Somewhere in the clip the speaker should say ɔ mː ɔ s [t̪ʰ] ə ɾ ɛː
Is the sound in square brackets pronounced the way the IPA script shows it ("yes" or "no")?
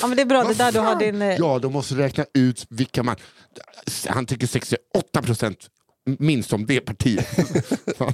no